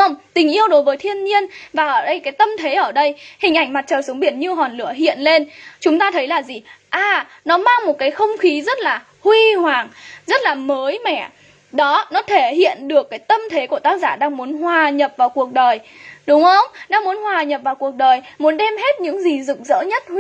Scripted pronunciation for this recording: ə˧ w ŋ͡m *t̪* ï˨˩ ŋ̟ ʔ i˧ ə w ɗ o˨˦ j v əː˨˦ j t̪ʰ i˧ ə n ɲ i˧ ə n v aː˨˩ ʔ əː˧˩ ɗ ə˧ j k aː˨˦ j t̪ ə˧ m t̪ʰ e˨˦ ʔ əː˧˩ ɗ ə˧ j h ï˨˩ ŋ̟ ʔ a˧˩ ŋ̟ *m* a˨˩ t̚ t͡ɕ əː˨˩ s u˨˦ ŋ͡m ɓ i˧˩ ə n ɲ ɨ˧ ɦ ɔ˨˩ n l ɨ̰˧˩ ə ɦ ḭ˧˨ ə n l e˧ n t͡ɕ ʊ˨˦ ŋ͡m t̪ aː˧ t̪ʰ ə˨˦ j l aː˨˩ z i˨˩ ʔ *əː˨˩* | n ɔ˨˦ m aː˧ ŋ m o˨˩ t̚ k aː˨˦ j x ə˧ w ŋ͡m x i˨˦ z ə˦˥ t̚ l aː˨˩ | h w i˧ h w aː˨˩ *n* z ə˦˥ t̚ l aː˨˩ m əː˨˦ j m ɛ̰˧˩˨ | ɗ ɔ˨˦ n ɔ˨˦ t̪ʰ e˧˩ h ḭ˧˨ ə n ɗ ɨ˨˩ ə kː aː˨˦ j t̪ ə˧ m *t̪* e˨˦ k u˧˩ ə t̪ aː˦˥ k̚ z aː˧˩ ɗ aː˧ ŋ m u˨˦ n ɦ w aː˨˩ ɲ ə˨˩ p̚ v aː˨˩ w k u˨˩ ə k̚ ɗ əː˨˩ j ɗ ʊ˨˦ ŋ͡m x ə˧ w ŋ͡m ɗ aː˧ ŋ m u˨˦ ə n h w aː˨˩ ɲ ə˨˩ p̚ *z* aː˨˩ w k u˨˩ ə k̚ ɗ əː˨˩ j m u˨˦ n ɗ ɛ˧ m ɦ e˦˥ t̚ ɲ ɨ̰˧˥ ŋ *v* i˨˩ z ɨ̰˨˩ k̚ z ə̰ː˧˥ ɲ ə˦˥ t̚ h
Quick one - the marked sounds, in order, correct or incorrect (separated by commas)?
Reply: correct, correct, incorrect, incorrect, incorrect, incorrect, incorrect